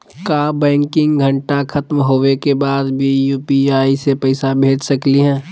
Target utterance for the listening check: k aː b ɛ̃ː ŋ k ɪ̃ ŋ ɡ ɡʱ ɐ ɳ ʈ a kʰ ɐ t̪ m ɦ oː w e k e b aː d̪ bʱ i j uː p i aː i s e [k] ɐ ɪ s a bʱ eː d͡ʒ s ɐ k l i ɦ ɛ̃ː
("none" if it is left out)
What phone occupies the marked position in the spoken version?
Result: p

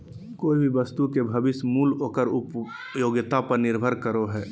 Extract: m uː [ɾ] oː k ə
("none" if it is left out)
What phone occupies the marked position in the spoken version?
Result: l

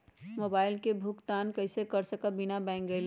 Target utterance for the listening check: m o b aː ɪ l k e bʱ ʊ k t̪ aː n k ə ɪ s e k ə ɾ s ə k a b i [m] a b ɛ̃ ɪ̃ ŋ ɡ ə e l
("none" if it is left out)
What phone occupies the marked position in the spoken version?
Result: n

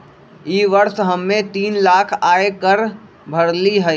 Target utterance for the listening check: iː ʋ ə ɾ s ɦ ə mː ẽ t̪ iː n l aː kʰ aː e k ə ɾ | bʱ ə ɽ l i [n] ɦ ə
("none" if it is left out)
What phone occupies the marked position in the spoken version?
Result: none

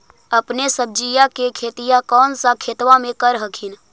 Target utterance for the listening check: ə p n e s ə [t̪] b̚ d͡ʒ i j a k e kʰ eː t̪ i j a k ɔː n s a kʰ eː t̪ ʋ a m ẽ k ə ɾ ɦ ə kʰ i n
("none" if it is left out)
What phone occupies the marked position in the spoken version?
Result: none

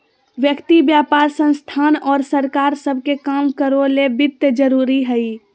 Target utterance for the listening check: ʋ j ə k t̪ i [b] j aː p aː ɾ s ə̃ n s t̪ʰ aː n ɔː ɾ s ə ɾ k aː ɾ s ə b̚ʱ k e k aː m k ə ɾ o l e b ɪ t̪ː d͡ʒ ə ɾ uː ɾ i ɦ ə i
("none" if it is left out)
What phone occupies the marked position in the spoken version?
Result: b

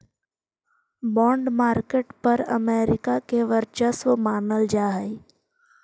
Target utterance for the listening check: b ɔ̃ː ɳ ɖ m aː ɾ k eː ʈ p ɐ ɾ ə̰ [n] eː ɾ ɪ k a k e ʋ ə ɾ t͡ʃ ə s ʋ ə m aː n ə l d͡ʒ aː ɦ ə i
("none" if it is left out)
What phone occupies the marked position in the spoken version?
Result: m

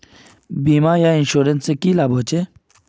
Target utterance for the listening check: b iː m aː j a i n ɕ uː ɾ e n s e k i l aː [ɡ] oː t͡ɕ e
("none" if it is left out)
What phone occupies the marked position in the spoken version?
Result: b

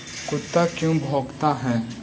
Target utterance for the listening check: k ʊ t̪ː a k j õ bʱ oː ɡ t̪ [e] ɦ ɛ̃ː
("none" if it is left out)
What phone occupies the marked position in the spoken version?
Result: a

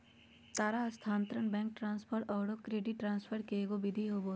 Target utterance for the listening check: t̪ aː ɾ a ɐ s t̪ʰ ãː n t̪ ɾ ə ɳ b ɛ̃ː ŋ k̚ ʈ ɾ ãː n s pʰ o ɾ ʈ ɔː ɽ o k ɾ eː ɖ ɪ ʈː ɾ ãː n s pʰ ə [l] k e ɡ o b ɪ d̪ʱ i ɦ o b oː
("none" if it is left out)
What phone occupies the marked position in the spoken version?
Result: ɾ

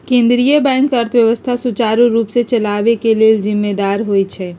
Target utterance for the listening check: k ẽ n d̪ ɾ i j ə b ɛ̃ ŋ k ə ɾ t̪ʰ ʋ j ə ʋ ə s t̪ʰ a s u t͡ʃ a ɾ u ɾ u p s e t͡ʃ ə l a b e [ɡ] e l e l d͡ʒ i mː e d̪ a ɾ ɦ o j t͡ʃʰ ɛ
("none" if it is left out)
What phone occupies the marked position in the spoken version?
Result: k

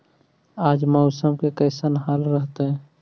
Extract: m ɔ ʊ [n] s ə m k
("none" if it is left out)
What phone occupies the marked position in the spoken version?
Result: none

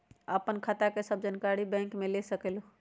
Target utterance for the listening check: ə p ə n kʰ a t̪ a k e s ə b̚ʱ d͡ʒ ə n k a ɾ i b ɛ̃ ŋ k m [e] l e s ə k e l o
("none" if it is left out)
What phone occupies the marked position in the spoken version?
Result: e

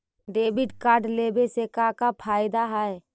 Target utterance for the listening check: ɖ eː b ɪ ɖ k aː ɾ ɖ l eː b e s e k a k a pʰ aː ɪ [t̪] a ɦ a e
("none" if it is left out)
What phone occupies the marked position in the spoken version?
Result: d̪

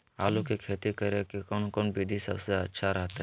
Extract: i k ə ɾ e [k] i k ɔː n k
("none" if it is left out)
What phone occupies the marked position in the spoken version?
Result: k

